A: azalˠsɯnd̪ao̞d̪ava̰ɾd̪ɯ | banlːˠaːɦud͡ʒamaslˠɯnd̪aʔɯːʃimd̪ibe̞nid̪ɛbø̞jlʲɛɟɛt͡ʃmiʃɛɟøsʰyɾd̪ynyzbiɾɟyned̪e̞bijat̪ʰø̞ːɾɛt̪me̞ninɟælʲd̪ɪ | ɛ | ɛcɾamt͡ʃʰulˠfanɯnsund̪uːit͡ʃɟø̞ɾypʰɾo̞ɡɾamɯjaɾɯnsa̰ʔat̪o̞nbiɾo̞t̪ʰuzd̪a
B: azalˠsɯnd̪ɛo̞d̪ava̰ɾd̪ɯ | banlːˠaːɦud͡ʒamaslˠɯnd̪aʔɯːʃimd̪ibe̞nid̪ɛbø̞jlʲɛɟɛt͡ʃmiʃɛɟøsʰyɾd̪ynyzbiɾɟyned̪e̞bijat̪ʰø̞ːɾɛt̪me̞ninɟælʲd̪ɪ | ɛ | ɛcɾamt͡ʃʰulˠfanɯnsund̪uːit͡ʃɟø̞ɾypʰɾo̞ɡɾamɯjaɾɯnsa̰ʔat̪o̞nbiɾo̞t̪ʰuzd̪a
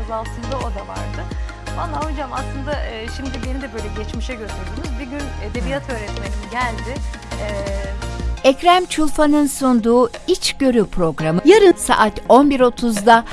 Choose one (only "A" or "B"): A